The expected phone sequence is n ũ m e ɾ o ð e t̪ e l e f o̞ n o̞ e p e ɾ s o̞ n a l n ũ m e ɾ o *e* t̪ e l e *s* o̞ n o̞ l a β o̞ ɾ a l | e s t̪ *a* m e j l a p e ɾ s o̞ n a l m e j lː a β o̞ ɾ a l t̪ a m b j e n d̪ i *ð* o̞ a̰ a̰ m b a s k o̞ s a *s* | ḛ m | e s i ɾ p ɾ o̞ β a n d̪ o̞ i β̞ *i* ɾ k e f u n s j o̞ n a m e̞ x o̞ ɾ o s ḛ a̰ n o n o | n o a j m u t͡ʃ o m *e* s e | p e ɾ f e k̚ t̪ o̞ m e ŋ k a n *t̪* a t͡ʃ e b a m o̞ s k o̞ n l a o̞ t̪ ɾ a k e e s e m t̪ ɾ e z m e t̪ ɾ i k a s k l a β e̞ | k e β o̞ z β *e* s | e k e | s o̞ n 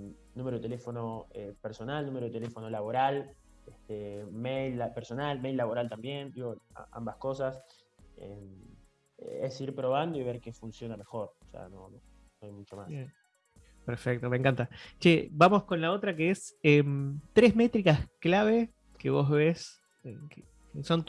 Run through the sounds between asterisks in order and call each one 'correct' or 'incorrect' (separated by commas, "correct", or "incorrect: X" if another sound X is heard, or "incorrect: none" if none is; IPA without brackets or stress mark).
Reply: correct, incorrect: f, incorrect: e, incorrect: ɣ, correct, incorrect: e, incorrect: a, correct, correct